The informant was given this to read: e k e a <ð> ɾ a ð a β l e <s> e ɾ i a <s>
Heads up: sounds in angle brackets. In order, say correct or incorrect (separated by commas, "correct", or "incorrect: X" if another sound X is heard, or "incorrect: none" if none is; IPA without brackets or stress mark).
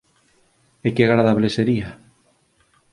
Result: incorrect: ɣ, correct, incorrect: none